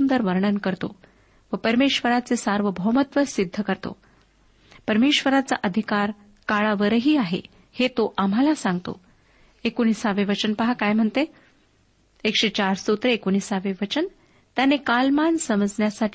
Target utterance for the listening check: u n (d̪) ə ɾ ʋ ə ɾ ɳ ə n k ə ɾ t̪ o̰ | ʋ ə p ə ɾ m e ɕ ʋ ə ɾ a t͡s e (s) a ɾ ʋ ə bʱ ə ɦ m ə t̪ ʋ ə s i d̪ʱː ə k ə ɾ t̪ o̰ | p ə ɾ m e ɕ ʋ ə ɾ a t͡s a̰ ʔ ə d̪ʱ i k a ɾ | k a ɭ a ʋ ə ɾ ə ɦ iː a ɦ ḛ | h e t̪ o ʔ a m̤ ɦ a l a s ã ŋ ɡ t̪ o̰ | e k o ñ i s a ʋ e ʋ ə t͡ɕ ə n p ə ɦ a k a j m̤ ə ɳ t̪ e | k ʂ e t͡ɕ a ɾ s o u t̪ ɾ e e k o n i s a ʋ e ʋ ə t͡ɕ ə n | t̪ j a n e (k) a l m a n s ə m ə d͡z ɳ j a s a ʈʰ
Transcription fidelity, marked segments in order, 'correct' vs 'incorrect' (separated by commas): correct, correct, correct